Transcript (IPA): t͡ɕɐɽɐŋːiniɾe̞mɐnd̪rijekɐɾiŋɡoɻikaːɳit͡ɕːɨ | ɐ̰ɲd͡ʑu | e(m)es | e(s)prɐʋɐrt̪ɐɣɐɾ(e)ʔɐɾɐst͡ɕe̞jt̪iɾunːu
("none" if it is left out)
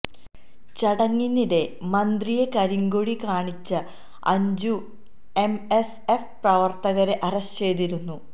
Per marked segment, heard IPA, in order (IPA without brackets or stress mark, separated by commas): m, f, e